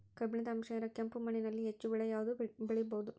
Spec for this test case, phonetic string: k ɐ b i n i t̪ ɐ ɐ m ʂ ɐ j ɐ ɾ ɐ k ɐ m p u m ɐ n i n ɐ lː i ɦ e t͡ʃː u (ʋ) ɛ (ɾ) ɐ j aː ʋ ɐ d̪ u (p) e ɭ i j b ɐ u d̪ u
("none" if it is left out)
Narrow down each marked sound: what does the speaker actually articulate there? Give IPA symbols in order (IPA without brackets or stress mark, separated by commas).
ʋ, ɭ, b